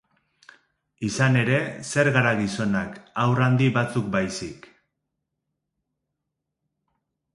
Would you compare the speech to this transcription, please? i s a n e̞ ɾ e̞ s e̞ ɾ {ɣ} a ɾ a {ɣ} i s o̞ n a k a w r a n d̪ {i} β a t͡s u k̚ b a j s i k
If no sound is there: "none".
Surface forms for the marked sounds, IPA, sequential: ɣ, ɣ, i

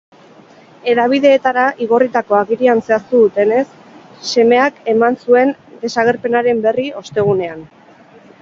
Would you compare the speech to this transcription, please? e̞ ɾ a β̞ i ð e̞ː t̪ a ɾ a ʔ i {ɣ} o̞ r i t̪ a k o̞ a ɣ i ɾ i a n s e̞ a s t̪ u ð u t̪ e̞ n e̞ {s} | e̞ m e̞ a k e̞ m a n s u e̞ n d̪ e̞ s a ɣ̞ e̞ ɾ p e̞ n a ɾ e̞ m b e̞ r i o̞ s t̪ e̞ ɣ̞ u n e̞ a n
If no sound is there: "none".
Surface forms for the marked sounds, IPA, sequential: ɣ, sː

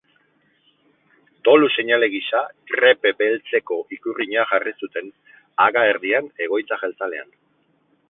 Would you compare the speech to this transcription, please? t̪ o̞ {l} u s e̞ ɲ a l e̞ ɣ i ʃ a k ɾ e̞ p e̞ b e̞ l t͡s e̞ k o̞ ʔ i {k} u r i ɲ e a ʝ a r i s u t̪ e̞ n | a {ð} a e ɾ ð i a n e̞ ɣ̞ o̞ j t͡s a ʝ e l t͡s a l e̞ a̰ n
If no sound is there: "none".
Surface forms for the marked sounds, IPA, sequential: l, k, ɣ

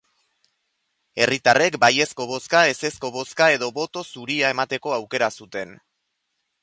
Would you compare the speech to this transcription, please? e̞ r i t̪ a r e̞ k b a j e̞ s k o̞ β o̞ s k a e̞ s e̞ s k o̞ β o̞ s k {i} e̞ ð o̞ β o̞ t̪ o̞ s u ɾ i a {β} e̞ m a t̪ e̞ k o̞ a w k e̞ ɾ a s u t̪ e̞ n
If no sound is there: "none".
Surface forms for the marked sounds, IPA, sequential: a, none

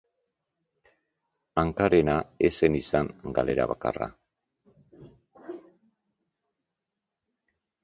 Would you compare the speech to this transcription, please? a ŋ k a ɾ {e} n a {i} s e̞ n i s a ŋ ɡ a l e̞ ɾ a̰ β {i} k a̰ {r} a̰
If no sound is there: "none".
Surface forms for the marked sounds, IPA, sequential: e, e, a, r

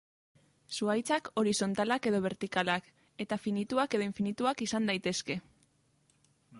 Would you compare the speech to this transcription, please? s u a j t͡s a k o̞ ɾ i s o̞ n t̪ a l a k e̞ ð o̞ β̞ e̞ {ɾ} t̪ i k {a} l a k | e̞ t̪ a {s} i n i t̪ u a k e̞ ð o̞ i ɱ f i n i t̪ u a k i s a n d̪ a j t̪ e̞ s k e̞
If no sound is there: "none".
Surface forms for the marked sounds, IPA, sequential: ɾ, a, f

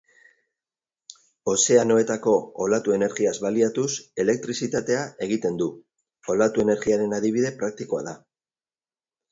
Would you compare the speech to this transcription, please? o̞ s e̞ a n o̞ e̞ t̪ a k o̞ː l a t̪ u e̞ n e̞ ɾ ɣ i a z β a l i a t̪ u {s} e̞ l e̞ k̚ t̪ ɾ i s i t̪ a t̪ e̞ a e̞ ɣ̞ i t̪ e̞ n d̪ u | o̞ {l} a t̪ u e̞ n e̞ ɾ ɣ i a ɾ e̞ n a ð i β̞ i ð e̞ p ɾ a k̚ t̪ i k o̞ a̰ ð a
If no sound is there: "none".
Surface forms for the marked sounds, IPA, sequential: s, l

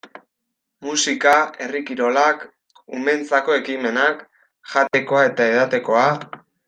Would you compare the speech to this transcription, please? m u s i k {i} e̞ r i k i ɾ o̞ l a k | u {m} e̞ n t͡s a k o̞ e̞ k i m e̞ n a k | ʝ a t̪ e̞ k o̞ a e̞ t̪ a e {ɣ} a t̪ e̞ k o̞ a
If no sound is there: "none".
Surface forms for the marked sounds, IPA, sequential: a, m, ð

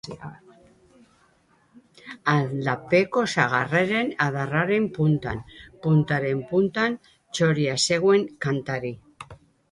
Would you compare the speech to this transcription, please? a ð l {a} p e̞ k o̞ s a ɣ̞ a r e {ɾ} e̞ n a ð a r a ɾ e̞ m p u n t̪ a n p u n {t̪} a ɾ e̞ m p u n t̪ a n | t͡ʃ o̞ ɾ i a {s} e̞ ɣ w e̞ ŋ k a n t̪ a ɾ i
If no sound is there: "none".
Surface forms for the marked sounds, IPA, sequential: a, ɾ, t̪, s

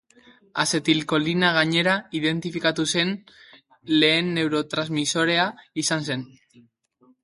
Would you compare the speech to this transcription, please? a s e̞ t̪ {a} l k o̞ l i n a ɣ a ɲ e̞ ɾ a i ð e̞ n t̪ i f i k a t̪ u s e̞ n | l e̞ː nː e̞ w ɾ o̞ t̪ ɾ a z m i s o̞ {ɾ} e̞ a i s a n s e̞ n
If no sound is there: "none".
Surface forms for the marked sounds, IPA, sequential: i, ɾ

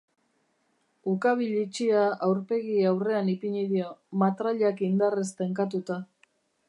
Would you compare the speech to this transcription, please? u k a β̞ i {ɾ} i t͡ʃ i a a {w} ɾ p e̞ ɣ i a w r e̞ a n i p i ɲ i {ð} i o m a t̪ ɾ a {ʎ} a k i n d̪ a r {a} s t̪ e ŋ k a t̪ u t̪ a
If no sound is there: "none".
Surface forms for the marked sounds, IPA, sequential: ʎ, w, ð, ʎ, e

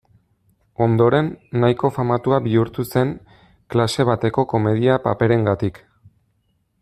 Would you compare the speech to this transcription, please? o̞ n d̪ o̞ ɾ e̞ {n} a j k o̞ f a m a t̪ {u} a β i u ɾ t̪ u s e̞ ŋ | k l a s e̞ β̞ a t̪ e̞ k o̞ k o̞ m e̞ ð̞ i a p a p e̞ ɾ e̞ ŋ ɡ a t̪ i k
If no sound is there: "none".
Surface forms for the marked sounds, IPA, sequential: nː, u

